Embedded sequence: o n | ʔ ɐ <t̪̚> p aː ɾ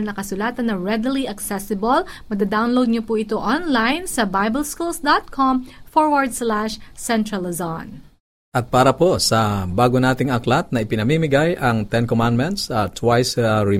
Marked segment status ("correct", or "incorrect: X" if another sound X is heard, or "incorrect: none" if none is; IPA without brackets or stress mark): correct